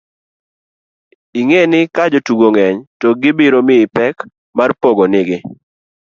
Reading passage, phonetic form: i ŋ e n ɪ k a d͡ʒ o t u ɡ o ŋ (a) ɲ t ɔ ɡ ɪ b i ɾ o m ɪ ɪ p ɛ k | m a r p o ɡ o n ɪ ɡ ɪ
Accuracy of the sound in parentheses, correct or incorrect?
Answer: incorrect: ɛ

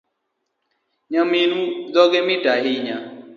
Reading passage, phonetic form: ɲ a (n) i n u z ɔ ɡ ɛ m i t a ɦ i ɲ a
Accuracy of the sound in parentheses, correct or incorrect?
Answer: incorrect: m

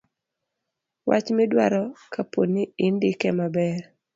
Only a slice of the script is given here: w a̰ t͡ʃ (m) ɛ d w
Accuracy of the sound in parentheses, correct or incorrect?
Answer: correct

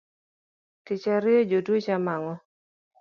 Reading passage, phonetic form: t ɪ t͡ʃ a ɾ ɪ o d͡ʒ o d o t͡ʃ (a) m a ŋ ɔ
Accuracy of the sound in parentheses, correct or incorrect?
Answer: correct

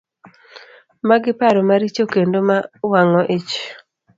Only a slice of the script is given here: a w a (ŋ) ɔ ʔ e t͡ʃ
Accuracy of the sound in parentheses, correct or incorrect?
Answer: correct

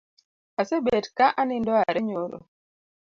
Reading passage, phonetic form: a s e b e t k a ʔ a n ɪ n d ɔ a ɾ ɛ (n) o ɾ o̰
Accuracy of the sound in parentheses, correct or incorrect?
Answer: incorrect: ɲ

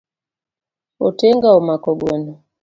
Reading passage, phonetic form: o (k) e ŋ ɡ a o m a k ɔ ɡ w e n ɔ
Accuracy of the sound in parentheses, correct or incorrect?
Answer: incorrect: t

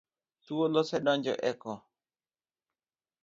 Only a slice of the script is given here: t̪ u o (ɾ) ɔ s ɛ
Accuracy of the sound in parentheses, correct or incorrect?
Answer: incorrect: l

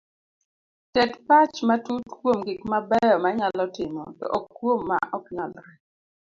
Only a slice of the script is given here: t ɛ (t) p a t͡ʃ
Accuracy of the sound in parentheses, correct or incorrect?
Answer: correct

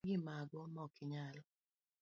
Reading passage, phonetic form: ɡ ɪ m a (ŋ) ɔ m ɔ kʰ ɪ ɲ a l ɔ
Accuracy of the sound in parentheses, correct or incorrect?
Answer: incorrect: ɡ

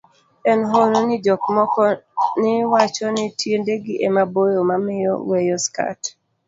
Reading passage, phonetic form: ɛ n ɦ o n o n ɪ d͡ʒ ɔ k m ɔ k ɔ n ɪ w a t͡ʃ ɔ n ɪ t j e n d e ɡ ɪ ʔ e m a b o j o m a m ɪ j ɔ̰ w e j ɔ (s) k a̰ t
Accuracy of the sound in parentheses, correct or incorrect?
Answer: correct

